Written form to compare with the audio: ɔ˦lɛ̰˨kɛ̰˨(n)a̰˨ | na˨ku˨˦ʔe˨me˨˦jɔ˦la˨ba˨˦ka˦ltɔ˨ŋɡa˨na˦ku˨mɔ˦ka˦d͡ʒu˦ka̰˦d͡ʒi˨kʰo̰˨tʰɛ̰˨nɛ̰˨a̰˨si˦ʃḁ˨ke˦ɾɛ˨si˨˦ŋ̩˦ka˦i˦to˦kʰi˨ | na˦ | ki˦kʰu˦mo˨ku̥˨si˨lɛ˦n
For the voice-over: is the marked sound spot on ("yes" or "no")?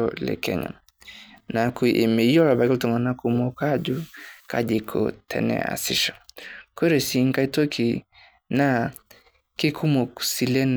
no